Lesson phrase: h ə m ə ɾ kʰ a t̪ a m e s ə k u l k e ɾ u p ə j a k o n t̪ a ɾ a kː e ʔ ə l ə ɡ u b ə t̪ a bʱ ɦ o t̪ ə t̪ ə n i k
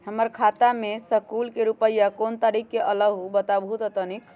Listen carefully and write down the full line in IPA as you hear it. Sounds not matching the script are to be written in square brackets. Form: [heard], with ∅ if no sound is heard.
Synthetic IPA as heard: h ə m ə ɾ kʰ a t̪ a m e s ə k u l k e ɾ u p ə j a k o n t̪ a ɾ [i] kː e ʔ ə l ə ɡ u b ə t̪ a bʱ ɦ [u] t̪ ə t̪ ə n i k